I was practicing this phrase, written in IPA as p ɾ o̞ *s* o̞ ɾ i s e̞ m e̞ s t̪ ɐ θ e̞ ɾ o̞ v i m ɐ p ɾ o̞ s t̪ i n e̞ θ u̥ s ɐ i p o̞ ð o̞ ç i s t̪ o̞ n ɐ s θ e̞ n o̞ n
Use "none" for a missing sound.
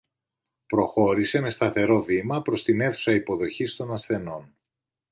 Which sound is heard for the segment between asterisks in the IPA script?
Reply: x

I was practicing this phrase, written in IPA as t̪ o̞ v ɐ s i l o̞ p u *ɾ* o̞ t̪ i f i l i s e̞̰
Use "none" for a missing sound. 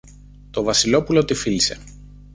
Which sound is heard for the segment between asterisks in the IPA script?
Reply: l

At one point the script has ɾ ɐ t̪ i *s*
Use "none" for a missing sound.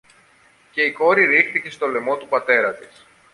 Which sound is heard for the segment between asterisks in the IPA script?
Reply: s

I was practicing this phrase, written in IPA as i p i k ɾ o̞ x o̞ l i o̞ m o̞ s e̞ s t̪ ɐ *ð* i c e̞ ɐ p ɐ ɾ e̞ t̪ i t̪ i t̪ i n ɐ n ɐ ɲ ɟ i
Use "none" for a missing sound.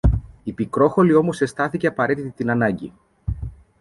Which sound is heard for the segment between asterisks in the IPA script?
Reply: θ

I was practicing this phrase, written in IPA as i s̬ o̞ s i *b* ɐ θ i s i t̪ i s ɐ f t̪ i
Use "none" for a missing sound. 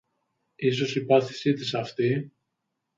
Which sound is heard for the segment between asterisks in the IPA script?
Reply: p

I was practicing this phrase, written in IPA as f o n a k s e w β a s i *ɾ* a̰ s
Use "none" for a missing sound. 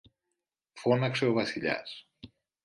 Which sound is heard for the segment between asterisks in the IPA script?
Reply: ʎ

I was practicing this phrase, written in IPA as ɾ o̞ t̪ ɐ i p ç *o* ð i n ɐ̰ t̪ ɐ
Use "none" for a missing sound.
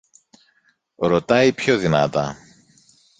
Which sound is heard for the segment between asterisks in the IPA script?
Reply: o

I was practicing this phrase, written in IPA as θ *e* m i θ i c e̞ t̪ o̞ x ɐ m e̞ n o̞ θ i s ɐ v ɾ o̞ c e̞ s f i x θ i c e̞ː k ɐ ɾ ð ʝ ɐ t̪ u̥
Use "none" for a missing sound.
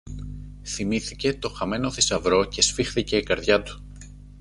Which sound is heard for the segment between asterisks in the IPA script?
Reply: i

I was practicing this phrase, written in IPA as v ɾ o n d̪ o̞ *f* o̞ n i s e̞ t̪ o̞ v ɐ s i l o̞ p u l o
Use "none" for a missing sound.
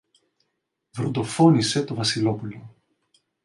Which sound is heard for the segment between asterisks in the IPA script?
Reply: f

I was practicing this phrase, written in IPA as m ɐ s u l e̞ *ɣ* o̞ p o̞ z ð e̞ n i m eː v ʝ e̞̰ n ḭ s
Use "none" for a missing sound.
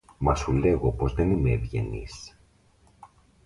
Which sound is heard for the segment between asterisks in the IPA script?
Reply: ɣ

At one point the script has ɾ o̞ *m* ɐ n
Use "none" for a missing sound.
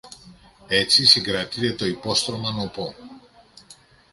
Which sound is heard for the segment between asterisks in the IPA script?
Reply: m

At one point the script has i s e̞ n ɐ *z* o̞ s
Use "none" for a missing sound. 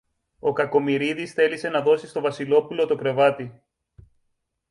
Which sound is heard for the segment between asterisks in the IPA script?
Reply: ð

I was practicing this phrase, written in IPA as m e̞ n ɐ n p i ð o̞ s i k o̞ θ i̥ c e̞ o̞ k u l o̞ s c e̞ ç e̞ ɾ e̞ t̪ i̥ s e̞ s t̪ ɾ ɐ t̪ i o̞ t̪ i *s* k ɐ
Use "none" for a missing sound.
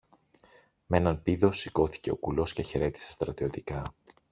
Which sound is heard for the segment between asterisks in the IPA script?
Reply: none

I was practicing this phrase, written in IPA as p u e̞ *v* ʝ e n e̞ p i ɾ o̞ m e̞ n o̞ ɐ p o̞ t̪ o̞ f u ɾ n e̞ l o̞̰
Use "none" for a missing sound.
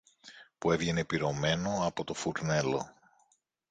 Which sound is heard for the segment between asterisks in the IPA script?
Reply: v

